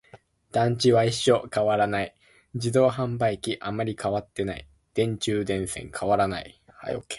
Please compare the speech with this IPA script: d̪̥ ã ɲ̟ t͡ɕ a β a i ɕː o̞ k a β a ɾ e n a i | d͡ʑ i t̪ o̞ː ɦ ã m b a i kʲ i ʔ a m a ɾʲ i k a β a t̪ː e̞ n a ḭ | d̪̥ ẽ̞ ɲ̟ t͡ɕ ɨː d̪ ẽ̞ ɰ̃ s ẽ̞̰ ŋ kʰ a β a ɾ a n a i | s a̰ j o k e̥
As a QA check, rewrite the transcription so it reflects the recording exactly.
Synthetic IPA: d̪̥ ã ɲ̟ t͡ɕ i β a i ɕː o̞ k a β a ɾ a n a i | d͡ʑ i d̪ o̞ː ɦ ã m b a i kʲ i ʔ a m a ɾʲ i k a β a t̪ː e̞ n a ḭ | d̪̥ ẽ̞ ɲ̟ t͡ɕ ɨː d̪ ẽ̞ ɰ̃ s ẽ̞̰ ŋ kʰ a β a ɾ a n a i | h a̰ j o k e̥